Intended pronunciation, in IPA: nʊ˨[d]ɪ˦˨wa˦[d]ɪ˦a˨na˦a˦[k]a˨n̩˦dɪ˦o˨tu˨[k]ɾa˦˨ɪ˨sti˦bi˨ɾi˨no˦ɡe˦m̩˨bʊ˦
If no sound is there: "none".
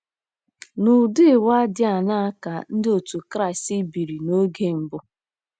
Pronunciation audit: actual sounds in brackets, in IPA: d, d, k, k

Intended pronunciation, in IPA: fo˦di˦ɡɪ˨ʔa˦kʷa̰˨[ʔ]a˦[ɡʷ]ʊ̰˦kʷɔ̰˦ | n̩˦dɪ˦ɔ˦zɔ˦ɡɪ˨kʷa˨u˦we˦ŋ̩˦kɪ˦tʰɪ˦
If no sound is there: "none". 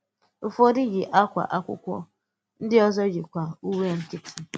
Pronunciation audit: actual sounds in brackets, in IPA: ʔ, kʷ

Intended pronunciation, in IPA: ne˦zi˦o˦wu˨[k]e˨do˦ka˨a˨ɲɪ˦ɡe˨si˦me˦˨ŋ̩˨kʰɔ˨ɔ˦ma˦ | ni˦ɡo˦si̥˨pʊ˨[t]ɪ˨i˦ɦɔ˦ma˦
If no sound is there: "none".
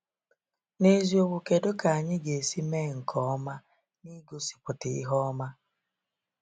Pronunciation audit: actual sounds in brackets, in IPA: k, t

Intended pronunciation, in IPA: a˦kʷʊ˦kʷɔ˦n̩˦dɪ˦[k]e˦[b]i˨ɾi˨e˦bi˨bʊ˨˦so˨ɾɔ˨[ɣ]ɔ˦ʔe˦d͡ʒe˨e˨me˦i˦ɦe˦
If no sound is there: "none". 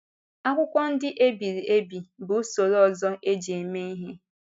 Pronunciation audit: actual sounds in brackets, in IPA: ʔ, b, z

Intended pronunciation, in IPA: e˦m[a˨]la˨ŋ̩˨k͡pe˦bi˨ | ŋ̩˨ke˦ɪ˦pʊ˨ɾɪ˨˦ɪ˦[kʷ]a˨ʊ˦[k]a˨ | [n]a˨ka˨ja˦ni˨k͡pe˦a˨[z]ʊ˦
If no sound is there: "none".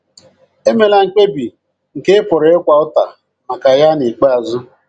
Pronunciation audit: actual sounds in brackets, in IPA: e˨, kʷ, t, m, z

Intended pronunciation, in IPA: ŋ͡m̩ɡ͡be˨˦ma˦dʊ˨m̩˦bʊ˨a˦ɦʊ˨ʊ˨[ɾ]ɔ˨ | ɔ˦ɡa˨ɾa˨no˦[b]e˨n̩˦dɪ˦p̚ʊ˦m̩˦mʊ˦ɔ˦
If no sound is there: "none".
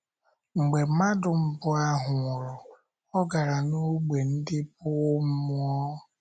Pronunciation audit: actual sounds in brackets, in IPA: ɾ, ɡ͡b

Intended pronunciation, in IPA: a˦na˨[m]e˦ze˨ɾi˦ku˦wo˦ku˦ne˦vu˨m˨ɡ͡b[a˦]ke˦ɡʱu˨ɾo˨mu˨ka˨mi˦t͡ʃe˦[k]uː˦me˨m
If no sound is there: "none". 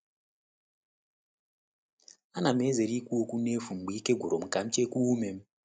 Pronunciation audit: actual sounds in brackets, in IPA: m, i˦, k

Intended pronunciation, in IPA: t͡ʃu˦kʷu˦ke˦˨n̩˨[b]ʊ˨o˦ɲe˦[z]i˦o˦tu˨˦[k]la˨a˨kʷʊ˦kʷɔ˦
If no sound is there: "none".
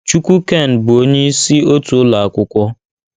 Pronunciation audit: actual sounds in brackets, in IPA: b, s, none

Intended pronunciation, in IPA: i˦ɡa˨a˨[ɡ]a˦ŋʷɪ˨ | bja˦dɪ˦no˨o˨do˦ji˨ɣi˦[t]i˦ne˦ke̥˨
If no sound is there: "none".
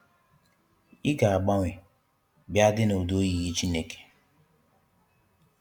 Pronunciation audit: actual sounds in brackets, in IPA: ɡ͡b, t͡ʃ

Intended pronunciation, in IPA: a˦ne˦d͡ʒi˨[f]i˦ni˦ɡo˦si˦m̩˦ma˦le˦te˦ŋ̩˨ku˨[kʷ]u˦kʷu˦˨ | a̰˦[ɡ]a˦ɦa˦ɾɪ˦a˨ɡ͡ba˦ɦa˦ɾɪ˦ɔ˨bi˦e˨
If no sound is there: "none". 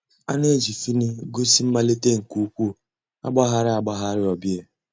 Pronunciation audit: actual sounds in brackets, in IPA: f, none, ɡ͡b

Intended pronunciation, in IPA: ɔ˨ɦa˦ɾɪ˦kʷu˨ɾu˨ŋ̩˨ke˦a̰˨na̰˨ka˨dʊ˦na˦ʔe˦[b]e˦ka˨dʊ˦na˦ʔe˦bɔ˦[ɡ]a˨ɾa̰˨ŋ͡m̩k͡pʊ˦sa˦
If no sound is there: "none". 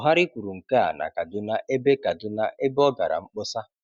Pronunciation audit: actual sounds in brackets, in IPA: b, ɡ

